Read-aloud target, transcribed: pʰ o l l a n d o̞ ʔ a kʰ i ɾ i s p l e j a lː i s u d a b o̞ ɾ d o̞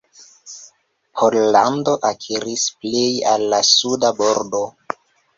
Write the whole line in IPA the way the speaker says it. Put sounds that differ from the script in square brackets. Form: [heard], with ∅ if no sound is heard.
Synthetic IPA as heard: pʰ o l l a n d o̞ ʔ a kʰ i ɾ i s p l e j a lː [a] s u d a b o̞ ɾ d o̞